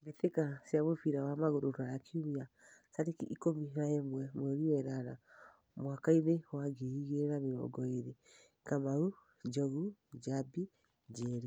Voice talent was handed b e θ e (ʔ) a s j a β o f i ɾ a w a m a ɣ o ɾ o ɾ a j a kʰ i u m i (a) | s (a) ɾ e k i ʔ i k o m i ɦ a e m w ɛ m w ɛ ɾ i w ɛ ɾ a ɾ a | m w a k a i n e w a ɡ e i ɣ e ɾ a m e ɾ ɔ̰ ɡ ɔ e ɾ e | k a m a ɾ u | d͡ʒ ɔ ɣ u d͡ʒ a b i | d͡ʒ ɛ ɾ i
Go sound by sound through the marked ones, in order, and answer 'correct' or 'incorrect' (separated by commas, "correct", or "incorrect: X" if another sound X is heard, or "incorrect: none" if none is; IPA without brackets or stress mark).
incorrect: k, correct, correct